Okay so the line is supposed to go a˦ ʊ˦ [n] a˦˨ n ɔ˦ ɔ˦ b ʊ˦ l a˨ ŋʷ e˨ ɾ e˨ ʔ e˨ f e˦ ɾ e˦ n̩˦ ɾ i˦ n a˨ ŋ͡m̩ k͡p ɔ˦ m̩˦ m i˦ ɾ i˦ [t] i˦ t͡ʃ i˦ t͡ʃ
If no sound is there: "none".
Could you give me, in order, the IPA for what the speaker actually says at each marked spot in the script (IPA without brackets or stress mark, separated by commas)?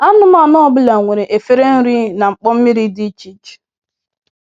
m, d